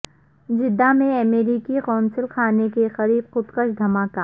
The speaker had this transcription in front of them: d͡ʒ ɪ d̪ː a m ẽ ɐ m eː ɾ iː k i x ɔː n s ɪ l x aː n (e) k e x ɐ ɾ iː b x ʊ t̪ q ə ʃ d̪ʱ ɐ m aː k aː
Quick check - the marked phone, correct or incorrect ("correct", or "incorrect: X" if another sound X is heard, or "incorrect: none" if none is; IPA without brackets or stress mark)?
correct